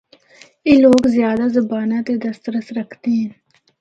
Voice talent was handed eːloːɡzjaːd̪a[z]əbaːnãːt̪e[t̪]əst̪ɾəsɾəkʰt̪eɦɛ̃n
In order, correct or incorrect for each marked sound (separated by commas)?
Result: correct, incorrect